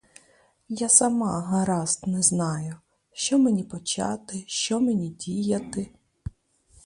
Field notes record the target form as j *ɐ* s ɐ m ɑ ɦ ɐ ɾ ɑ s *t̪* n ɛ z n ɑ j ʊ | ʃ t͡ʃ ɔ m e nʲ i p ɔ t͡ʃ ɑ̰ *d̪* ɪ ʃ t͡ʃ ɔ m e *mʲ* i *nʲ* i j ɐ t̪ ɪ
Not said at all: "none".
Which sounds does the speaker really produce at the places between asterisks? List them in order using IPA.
a, t̪, t̪, nʲ, dʲ

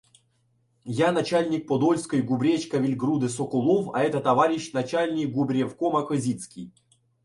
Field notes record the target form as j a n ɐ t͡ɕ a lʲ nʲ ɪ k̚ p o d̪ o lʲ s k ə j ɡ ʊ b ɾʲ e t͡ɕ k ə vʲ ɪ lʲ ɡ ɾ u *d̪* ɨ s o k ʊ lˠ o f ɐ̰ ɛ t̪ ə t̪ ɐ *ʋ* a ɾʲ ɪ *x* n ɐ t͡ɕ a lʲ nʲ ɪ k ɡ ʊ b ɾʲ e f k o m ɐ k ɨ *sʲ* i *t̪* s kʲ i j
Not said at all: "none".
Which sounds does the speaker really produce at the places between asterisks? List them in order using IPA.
d̪, v, ɕ, zʲ, t̪

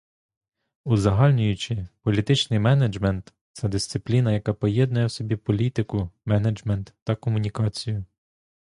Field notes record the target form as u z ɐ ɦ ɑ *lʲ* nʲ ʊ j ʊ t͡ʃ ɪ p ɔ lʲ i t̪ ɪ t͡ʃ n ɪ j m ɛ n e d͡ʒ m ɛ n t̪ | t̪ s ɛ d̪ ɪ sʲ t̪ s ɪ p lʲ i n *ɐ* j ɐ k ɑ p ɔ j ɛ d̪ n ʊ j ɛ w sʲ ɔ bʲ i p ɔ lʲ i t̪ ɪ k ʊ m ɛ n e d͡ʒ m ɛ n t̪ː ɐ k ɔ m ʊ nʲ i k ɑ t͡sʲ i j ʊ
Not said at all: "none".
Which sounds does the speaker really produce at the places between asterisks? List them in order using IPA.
lʲ, ɐ

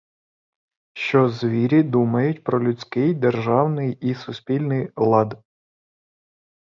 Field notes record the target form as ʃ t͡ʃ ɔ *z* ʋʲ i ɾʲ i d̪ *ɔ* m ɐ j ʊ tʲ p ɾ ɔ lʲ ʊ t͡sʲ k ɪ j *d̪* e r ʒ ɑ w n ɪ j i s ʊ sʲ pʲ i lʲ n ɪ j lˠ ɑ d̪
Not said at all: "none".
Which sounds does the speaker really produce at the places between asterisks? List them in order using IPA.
z, u, d̪

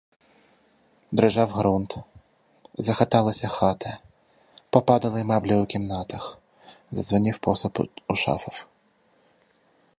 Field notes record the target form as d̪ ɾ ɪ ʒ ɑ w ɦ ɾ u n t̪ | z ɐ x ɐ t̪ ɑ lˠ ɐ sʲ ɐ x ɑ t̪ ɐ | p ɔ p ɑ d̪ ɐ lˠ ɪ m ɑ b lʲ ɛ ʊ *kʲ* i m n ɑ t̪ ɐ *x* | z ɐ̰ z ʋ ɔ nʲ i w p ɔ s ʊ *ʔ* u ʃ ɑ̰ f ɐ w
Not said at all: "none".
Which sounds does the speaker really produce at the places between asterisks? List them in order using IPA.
kʲ, x, p

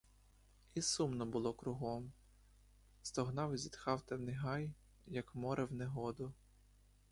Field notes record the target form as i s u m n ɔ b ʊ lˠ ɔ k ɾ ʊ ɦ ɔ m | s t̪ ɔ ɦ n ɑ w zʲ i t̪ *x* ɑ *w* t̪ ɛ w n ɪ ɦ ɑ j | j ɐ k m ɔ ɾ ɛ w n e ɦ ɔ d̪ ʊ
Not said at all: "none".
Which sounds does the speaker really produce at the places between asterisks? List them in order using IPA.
x, w

